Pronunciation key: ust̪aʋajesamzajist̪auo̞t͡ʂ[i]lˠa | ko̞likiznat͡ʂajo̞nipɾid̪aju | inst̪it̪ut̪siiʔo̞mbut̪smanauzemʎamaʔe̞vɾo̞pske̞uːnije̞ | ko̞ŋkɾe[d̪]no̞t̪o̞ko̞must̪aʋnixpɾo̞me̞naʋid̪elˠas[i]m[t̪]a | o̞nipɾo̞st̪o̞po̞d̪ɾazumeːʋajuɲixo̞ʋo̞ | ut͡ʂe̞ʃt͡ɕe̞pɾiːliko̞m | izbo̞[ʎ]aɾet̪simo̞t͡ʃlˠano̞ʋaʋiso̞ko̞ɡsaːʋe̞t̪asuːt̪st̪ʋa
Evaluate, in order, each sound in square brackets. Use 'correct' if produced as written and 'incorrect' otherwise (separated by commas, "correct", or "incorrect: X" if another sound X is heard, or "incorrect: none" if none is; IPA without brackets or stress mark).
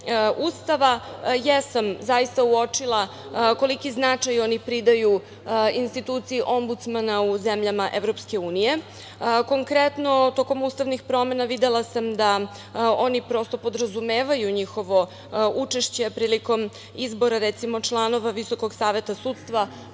correct, incorrect: t̪, incorrect: a, incorrect: d̪, incorrect: ɾ